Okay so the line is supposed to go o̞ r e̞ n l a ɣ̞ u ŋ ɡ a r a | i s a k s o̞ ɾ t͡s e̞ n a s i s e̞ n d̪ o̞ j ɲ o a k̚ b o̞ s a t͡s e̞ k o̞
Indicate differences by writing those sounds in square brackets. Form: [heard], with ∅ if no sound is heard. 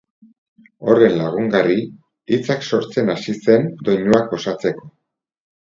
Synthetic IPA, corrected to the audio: o̞ r e̞ n l a ɣ̞ u ŋ ɡ a r [i] | i [t͡s] a k s o̞ ɾ t͡s e̞ n a s i s e̞ n d̪ o̞ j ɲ [u] a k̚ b o̞ s a t͡s e̞ k o̞